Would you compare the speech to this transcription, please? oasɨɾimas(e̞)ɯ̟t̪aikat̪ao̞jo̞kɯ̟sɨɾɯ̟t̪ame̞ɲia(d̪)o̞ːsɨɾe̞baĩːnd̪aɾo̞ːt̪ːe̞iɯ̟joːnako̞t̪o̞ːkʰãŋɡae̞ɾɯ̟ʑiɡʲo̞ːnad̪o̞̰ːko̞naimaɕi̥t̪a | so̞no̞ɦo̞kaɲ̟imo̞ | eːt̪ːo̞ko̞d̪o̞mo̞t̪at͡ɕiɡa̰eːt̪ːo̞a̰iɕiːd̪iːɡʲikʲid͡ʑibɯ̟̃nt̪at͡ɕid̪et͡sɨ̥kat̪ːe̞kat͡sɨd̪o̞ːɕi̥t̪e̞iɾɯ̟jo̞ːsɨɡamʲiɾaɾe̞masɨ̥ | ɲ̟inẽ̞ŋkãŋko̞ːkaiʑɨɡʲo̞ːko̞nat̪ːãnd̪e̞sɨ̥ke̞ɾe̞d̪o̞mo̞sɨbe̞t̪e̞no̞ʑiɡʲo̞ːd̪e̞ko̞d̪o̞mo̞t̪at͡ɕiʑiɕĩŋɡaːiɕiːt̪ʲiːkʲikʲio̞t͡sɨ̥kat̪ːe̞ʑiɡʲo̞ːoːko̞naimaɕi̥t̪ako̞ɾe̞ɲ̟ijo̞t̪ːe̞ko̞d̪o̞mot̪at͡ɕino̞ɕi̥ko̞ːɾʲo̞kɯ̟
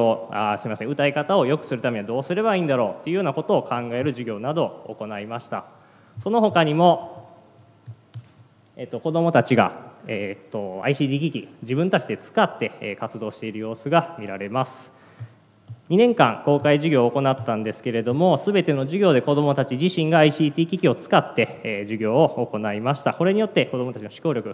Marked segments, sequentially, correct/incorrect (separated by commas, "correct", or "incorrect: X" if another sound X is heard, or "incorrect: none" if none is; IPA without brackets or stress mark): incorrect: ẽ̞, correct